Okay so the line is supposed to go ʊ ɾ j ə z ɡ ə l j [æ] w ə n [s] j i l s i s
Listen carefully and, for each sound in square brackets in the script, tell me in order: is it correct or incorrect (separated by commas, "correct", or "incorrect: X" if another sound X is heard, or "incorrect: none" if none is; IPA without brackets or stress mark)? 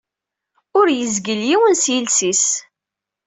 incorrect: i, correct